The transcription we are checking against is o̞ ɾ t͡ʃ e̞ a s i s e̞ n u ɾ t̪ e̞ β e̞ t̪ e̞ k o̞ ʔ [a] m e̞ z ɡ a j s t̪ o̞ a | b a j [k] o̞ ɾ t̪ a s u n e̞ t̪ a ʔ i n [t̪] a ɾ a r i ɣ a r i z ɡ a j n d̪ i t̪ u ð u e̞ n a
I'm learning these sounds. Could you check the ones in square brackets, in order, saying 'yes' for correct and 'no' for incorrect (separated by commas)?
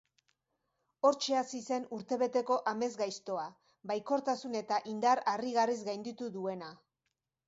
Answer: yes, yes, no